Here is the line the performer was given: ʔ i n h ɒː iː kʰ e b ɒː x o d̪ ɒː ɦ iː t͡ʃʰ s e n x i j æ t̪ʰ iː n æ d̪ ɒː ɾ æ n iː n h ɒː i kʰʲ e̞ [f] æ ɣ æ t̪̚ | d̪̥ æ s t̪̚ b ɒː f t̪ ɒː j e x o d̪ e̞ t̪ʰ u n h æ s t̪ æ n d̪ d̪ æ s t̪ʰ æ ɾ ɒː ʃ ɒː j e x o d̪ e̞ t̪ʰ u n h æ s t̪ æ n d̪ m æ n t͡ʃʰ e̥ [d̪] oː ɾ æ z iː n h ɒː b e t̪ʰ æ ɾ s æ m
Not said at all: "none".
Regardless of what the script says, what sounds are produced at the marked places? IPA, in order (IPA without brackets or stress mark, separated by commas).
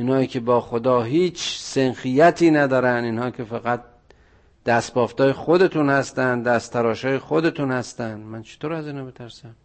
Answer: f, t̪